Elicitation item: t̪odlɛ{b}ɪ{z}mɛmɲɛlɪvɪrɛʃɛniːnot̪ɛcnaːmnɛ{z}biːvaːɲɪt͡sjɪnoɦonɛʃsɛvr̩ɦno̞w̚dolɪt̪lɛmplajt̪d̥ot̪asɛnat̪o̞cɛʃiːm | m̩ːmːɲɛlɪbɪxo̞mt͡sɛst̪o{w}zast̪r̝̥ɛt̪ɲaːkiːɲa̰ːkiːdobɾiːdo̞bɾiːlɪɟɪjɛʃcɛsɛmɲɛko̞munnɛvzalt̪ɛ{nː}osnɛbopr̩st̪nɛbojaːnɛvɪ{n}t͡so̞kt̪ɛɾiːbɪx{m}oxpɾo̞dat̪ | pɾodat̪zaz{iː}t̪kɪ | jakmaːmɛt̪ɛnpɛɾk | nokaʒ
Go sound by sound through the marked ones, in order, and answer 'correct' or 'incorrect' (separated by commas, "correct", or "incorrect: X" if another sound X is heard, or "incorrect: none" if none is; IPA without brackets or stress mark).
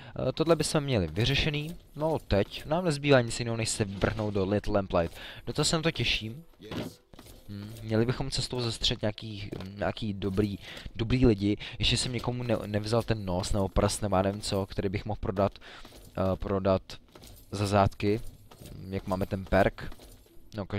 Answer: correct, incorrect: s, correct, correct, correct, incorrect: m, correct, incorrect: aː